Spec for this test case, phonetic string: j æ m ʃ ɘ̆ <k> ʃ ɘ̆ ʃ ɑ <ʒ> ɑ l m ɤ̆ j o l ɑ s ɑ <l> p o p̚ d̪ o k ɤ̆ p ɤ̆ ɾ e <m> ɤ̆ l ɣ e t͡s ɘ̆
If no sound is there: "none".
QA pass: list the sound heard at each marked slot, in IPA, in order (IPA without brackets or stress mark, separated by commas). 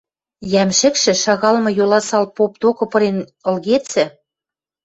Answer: k, ɣ, l, n